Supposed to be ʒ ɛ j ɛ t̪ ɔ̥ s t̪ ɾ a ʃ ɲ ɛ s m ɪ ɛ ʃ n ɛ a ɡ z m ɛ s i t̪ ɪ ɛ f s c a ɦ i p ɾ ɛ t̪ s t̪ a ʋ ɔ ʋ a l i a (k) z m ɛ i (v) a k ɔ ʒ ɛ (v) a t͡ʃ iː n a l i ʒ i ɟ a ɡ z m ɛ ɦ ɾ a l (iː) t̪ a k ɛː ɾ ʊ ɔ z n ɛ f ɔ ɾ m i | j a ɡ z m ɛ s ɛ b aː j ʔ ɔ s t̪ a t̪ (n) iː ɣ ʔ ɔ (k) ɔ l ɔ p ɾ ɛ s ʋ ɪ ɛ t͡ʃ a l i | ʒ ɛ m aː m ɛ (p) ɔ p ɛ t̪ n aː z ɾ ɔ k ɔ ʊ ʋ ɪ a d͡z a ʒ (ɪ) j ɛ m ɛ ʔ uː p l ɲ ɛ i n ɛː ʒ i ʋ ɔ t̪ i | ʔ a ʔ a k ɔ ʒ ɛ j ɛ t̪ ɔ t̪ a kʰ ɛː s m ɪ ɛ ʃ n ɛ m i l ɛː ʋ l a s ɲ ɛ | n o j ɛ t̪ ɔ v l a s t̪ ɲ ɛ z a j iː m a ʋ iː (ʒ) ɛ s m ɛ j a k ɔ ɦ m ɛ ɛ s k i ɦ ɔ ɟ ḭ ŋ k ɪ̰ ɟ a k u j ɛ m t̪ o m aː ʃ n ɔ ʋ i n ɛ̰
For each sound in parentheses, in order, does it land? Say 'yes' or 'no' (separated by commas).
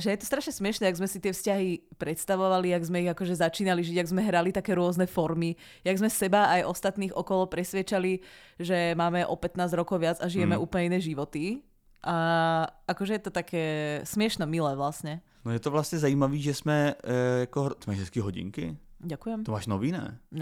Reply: no, no, no, no, yes, yes, no, no, yes